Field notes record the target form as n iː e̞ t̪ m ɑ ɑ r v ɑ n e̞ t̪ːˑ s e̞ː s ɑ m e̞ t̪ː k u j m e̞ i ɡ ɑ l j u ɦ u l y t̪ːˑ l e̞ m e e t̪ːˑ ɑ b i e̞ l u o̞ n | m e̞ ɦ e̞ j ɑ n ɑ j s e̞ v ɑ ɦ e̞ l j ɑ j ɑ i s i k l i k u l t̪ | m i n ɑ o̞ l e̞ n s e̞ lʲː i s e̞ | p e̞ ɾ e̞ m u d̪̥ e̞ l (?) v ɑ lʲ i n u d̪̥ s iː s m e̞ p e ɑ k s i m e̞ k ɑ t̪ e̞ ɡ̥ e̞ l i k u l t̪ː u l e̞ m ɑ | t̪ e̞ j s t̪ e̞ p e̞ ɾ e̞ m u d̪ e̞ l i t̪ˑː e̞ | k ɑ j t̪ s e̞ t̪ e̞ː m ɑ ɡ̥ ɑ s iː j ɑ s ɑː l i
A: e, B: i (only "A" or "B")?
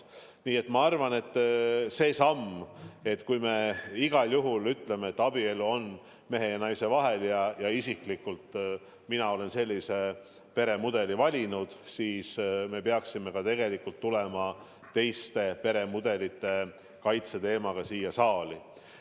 B